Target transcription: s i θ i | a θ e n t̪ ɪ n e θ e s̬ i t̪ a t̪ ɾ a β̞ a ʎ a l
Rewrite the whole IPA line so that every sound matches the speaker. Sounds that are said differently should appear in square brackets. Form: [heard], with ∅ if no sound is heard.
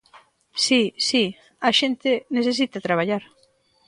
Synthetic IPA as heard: s i [s] i | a [ʃ] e n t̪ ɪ n e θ e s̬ i t̪ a t̪ ɾ a β̞ a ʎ a [ɾ]